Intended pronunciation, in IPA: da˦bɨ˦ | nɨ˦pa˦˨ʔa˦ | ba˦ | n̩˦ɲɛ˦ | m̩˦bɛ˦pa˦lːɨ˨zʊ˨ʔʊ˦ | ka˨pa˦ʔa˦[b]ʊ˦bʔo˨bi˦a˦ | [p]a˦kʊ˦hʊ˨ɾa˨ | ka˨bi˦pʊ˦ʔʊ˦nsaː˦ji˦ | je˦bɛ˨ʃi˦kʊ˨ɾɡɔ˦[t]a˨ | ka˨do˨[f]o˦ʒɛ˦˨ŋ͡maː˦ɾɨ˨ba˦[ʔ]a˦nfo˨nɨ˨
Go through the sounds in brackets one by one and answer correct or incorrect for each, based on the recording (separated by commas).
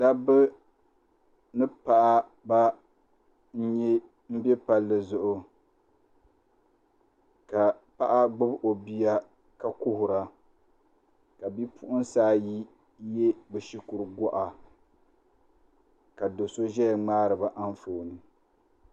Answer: incorrect, incorrect, incorrect, incorrect, correct